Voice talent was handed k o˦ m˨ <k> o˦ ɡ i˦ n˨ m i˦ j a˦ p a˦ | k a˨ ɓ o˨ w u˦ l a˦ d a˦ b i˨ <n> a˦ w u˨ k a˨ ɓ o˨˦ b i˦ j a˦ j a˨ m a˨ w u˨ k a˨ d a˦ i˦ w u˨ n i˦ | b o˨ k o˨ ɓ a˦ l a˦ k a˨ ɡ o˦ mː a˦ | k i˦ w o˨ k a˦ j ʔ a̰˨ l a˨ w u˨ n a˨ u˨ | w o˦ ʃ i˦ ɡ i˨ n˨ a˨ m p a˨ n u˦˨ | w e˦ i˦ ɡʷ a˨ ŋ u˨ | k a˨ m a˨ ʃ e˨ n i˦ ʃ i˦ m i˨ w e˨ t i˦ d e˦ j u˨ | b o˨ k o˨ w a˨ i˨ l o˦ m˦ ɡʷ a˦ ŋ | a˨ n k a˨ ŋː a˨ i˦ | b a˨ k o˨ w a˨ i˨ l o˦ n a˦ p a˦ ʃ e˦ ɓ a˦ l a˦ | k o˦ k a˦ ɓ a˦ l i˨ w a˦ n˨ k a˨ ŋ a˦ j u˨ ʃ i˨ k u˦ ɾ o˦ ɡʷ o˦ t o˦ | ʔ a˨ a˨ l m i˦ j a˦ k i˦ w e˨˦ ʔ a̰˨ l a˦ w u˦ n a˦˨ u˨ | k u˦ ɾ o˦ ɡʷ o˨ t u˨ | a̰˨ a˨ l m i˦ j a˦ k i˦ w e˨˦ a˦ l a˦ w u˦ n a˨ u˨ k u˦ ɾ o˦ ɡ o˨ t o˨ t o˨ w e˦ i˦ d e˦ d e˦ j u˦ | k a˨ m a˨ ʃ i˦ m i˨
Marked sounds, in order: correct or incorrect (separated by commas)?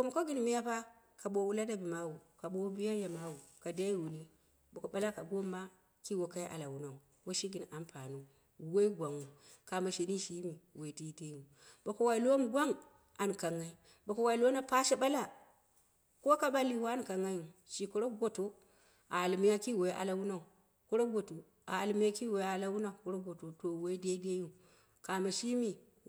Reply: correct, incorrect